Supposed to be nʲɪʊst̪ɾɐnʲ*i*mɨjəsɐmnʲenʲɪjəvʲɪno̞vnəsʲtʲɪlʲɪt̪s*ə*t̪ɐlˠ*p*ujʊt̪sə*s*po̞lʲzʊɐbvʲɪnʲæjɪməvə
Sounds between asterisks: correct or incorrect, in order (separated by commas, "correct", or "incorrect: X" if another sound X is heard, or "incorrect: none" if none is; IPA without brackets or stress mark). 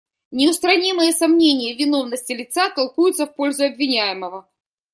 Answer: correct, incorrect: a, incorrect: k, incorrect: f